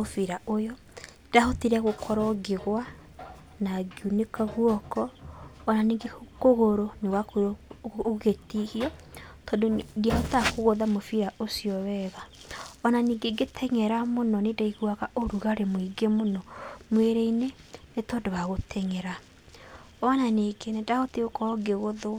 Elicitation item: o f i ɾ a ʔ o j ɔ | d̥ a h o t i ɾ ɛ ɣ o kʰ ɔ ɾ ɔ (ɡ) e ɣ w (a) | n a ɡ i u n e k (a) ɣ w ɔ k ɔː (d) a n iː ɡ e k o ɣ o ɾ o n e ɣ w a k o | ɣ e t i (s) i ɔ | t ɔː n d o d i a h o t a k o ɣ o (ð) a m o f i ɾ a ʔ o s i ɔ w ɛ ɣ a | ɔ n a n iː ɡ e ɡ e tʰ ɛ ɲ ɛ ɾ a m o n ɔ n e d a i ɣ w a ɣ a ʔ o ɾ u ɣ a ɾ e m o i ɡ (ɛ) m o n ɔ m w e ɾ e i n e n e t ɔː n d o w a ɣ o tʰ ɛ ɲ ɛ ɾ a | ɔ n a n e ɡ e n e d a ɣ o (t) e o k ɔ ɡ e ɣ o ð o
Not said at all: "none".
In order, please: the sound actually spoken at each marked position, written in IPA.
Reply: ɡ, a, a, n, h, ð, e, t

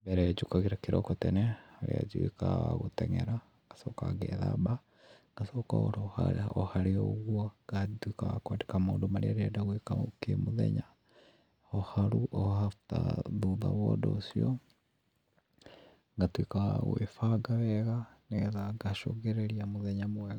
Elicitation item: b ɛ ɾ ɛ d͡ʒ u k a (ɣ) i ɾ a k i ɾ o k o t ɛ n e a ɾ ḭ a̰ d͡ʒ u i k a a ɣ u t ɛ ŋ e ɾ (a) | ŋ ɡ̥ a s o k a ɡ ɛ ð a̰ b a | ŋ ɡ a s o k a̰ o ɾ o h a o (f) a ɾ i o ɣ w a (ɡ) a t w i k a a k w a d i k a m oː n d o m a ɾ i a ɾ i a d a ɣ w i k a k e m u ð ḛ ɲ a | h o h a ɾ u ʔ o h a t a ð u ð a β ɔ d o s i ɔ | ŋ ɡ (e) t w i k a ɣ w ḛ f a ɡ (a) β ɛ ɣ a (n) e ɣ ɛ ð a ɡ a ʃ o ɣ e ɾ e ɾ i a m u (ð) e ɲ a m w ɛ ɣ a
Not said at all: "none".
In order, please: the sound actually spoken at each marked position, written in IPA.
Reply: ɣ, a, h, ɡ, a, a, n, ð

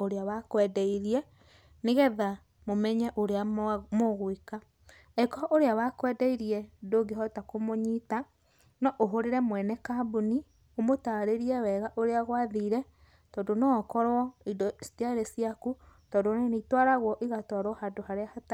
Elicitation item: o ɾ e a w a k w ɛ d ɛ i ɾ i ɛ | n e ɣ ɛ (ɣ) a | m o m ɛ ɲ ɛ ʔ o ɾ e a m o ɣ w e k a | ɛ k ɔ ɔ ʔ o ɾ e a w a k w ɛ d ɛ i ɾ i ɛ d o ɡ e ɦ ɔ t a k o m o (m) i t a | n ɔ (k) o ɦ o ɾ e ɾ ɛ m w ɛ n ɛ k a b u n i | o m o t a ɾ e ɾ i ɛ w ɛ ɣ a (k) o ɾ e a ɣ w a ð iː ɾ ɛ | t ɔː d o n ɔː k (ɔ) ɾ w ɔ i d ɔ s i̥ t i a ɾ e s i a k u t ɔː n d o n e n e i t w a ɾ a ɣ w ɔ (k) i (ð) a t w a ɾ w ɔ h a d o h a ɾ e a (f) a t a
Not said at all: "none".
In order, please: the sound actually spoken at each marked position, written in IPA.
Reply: ð, ɲ, ʔ, ʔ, ɔ, ʔ, ɣ, h

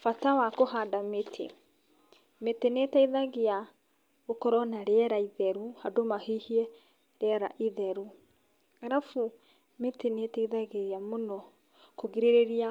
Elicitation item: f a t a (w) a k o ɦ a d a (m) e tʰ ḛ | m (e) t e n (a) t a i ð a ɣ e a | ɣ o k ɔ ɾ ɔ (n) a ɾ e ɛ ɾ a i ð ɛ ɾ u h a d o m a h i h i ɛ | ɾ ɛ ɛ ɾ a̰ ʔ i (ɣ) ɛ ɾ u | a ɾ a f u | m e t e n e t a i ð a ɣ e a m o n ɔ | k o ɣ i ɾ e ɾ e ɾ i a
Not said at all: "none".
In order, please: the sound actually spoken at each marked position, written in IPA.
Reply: w, m, e, e, n, ð

